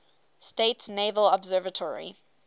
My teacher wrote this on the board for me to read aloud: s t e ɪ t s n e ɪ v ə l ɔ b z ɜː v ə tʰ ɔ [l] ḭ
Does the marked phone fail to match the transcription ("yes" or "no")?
yes